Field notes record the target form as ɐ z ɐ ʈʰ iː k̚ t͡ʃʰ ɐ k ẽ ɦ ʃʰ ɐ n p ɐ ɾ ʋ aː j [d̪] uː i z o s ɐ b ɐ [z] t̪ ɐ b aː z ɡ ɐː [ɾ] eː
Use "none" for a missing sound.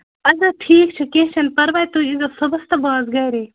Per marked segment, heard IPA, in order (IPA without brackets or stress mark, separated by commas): t̪, s, ɾ